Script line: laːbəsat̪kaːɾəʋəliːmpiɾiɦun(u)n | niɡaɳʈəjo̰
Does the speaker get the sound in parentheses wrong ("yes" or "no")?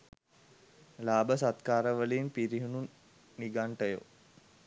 no